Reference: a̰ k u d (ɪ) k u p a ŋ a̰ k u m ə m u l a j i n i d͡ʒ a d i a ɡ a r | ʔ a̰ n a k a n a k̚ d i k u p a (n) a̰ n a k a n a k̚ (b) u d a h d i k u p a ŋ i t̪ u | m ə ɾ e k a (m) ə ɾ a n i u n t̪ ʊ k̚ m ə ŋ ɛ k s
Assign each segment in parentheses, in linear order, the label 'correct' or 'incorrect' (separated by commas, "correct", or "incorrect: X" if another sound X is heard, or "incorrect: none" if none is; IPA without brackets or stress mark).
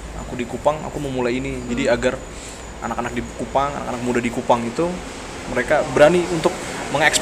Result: incorrect: i, incorrect: ŋ, incorrect: m, incorrect: b